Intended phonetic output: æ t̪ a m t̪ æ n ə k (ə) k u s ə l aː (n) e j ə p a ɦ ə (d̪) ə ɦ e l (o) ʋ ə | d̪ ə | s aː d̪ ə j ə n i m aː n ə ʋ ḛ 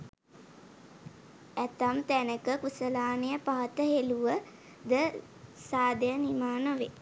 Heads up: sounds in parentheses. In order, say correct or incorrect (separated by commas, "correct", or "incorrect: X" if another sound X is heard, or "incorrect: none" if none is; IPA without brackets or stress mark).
correct, correct, incorrect: t̪, incorrect: u